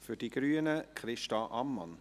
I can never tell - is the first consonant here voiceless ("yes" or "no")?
yes